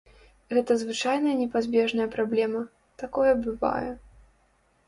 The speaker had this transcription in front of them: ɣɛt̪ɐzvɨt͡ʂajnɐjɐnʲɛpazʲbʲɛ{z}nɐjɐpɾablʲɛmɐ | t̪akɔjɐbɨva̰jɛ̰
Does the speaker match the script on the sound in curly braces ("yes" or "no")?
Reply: no